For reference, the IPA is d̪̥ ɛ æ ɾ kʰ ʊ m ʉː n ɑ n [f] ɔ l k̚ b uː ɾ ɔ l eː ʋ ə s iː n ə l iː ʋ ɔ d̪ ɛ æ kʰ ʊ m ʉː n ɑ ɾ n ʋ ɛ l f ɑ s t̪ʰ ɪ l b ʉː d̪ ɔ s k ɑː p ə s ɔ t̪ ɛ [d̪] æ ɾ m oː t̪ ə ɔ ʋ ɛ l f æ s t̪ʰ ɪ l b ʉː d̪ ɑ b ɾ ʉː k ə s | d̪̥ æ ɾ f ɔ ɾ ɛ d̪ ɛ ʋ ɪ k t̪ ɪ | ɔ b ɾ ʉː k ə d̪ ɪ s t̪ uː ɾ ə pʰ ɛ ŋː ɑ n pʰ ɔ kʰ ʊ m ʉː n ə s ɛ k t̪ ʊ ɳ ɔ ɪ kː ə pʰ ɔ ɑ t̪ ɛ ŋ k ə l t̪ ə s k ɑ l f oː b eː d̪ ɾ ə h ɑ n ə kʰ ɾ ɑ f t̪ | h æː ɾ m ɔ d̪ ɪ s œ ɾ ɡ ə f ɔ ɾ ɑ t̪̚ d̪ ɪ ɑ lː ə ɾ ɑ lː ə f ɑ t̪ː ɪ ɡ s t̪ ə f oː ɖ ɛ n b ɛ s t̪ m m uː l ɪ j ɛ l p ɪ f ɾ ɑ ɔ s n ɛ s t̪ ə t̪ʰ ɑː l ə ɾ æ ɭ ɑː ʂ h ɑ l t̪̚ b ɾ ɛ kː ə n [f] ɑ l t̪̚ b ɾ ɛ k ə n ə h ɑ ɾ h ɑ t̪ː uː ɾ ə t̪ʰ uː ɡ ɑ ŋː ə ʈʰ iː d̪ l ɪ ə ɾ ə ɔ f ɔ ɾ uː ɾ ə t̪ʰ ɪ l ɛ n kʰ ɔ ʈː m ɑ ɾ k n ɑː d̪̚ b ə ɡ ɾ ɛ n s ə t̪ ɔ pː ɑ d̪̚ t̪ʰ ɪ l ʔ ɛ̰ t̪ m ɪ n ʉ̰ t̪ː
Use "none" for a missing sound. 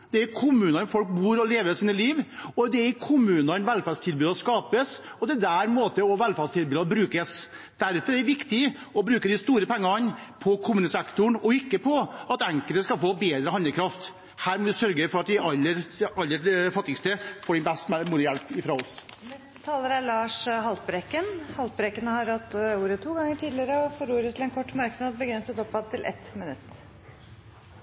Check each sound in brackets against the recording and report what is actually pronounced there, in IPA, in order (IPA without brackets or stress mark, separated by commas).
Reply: f, d̪, h